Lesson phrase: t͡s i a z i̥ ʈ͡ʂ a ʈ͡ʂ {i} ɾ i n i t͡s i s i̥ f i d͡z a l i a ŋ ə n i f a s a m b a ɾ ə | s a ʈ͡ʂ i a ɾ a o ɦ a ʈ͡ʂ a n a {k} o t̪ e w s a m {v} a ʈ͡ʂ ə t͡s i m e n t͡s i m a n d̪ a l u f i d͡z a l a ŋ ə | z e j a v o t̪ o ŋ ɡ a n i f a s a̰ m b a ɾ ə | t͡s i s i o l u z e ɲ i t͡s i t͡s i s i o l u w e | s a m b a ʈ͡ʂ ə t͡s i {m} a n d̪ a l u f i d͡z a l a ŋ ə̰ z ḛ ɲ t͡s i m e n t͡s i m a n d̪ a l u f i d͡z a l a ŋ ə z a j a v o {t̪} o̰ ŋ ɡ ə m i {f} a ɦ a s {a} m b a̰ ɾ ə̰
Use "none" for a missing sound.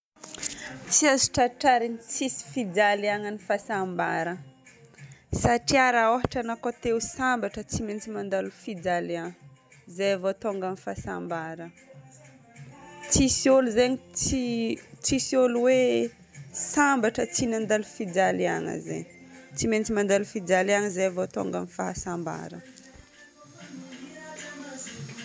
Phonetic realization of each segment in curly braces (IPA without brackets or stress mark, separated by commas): a, k, b, n, t̪, f, a